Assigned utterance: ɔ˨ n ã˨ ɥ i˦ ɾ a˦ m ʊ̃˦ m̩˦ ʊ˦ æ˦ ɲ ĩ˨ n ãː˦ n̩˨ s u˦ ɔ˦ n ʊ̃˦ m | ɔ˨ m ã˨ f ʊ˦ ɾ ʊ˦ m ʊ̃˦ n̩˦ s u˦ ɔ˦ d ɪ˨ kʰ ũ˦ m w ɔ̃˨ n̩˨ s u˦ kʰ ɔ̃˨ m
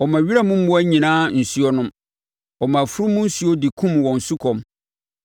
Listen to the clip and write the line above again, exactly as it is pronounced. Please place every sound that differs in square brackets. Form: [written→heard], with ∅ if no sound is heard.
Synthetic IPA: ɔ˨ [n→m] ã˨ ɥ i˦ ɾ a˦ m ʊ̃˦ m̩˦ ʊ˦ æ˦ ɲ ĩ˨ n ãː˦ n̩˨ s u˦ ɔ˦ n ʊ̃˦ m | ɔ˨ m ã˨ f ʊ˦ ɾ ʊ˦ m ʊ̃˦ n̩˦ s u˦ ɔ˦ d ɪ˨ kʰ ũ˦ m w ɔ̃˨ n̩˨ s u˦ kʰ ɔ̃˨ m